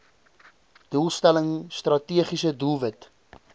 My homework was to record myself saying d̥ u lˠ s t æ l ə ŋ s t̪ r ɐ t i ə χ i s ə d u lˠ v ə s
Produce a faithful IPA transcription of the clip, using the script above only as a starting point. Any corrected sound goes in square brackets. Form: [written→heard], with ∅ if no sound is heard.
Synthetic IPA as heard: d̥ u lˠ s t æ l ə ŋ s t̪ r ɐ t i ə χ i s ə d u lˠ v ə [s→t]